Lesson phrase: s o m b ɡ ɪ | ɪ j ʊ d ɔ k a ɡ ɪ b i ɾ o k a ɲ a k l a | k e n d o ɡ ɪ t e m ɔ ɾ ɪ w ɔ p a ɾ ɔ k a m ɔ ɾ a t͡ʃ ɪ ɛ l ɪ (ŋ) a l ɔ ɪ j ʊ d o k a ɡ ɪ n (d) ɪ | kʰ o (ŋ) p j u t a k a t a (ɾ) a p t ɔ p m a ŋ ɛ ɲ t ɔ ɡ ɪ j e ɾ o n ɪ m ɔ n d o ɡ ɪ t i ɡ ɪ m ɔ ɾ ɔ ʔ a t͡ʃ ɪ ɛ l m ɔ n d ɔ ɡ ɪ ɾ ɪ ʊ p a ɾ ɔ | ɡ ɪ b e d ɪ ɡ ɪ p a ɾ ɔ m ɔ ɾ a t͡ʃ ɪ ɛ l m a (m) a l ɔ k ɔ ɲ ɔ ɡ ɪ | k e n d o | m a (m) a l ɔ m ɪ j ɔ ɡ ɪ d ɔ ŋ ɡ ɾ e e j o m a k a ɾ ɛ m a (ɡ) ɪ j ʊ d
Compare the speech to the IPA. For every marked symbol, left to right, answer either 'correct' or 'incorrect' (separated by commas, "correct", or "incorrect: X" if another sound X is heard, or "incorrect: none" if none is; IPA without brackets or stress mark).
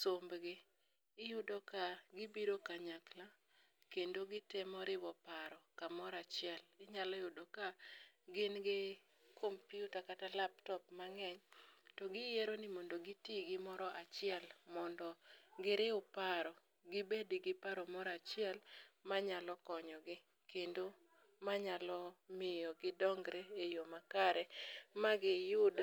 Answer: incorrect: ɲ, incorrect: ɡ, incorrect: m, incorrect: l, incorrect: ɲ, incorrect: ɲ, correct